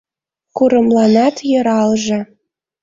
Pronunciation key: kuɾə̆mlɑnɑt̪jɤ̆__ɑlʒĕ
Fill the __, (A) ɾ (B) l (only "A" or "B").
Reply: A